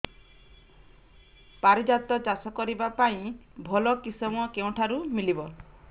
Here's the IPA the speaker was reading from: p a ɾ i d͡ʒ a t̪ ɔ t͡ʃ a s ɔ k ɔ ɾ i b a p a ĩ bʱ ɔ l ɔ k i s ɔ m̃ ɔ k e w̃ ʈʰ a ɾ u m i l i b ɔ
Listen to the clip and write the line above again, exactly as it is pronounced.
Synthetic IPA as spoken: p a ɾ i d͡ʒ a t̪ ɔ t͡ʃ a s ɔ k ɔ ɾ i b a p a ĩ bʱ ɔ l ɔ k i s ɔ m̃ ɔ k e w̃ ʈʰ a ɾ u m i l i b ɔ